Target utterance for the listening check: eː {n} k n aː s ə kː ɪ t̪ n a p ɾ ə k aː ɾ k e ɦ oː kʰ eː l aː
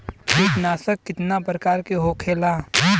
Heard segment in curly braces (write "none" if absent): none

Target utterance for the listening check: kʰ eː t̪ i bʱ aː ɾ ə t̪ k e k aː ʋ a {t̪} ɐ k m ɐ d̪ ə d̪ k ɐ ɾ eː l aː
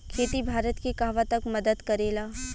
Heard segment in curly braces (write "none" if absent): t̪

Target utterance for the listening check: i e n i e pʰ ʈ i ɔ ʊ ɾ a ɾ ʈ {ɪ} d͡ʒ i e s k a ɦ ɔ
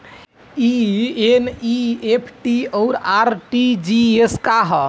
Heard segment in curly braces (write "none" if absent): i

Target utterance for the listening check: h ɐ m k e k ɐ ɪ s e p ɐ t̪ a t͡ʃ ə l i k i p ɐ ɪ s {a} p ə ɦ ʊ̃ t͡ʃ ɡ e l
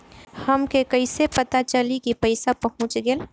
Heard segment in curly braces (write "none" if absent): a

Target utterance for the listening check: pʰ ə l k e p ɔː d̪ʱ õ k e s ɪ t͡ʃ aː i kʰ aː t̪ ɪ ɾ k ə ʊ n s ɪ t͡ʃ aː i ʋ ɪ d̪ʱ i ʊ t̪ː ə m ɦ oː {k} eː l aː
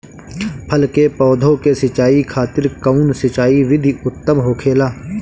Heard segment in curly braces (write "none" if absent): kʰ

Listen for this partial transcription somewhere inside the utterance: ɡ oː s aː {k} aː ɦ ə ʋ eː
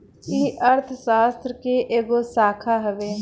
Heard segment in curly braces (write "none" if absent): kʰ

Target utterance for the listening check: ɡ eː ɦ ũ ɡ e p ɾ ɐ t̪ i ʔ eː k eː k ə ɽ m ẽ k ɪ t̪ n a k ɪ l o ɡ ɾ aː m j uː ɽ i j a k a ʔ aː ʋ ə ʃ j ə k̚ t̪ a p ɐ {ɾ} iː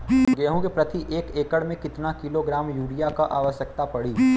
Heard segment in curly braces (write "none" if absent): ɽ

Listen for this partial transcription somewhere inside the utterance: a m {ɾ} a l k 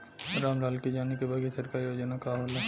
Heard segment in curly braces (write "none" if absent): ɾ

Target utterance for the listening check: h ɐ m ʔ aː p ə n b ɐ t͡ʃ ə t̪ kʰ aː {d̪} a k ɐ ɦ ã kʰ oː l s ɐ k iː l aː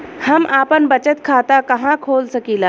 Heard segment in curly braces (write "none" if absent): t̪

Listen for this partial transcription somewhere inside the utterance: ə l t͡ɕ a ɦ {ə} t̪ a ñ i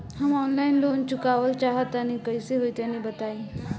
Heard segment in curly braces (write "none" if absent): ə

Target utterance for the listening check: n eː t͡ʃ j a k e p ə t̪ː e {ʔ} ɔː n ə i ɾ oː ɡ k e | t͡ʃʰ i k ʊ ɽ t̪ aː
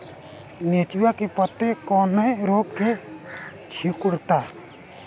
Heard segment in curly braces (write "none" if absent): k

